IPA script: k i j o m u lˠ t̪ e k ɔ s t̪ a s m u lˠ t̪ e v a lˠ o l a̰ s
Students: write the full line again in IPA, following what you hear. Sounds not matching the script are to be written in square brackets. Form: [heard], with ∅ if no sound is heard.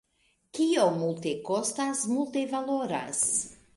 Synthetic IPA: k i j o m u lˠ t̪ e k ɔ s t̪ a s m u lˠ t̪ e v a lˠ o [ɾ] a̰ s